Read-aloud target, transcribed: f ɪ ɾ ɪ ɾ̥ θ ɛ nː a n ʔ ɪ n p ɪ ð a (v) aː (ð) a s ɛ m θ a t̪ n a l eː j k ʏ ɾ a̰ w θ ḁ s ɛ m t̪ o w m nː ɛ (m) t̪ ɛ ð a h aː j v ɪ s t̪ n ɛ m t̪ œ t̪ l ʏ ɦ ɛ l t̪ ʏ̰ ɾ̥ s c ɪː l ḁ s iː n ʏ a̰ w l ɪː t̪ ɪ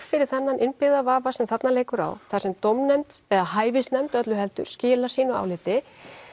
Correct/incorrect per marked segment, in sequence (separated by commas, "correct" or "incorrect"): correct, incorrect, correct